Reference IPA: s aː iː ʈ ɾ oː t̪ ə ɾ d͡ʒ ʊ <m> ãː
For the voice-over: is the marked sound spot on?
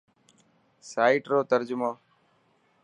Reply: yes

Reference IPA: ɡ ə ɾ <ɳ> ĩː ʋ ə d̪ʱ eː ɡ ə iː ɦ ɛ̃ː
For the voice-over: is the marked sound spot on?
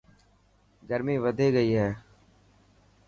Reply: no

